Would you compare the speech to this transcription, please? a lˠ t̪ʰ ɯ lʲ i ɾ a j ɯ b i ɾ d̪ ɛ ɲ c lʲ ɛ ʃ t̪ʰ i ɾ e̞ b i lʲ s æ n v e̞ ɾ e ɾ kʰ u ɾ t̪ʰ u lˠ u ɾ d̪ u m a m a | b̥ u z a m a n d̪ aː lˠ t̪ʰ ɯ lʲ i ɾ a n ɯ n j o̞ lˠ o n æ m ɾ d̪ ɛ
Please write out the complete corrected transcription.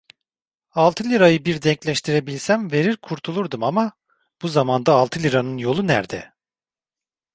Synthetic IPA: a lˠ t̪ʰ ɯ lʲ i ɾ a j ɯ b i ɾ d̪ ɛ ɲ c lʲ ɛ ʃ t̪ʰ i ɾ e̞ b i lʲ s æ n v e̞ ɾ i ɾ kʰ u ɾ t̪ʰ u lˠ u ɾ d̪ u m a m a | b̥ u z a m a n d̪ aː lˠ t̪ʰ ɯ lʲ i ɾ a n ɯ n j o̞ lˠ u n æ ɾ d̪ ɛ